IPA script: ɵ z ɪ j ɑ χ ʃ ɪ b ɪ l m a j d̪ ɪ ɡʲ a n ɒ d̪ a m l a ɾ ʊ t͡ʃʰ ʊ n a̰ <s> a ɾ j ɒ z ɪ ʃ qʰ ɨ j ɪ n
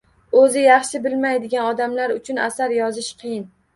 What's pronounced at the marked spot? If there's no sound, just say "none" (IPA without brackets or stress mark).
s